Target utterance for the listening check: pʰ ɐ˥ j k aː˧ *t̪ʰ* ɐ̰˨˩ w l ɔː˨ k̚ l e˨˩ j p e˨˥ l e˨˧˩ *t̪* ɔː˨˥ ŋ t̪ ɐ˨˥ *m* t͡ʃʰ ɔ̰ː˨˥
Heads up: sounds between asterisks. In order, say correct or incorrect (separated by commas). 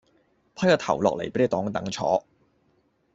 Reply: correct, correct, incorrect